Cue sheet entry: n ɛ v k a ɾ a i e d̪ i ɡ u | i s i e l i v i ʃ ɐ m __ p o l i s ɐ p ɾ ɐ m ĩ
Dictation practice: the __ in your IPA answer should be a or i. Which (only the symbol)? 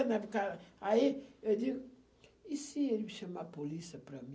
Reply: a